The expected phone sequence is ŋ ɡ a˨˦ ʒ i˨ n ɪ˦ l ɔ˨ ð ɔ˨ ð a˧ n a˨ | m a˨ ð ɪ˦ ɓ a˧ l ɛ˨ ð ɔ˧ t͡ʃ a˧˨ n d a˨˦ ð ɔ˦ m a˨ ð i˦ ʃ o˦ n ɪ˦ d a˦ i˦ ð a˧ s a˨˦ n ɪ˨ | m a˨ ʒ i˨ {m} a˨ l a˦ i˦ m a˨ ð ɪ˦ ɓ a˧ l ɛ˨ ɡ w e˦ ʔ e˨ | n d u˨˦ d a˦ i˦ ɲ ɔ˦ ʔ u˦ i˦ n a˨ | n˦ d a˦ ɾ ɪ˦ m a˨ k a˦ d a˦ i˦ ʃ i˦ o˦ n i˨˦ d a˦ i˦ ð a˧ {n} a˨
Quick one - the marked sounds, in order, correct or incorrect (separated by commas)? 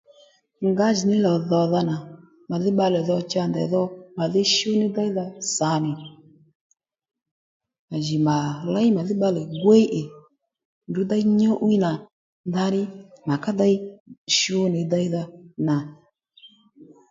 correct, correct